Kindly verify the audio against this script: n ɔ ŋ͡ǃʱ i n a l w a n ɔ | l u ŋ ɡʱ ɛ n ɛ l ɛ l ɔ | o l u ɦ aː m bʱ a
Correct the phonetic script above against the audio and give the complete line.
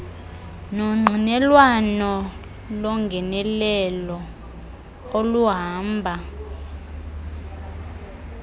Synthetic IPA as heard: n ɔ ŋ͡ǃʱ i n ɛ l w a n ɔ | l ɔ ŋ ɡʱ ɛ n ɛ l ɛ l ɔ | o l u ɦ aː m bʱ a

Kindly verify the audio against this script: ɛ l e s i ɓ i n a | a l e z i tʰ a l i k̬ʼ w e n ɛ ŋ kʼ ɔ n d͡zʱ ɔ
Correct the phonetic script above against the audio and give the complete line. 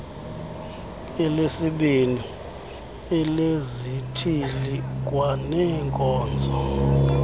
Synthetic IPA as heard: ɛ l e s i ɓ i n i | ɛ l e z i tʰ i l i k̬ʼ w a n ɛ ŋ kʼ ɔː n d͡zʱ ɔ

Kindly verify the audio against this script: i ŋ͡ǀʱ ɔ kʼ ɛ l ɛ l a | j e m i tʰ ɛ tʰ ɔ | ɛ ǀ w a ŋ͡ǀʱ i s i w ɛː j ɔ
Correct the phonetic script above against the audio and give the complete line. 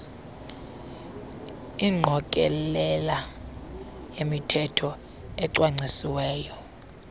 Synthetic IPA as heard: i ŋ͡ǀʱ ɔ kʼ ɛ l ɛ l a | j e m i tʰ ɛ tʰ ɔ | ɛ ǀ w a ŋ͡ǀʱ i s i w ɛː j ɔ

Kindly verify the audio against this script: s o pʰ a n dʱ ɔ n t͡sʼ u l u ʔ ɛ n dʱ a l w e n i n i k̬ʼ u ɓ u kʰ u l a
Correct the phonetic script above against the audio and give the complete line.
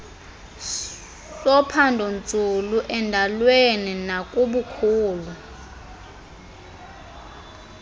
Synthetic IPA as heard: s ɔ pʰ a n dʱ ɔ n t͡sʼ u l u ʔ ɛ n dʱ a l w e n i n a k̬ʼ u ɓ u kʰ uː l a

